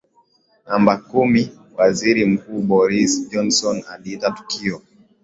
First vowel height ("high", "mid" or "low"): low